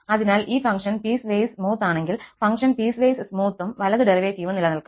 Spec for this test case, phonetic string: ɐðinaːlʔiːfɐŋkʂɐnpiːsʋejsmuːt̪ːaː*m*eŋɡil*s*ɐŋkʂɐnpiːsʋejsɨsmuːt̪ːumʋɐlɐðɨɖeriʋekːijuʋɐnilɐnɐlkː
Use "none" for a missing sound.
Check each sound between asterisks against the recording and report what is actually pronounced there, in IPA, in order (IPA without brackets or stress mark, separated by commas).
ɳ, f